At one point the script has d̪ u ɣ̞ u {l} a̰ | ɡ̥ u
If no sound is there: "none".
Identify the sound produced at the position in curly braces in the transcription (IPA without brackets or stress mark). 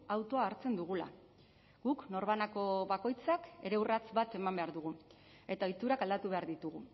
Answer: l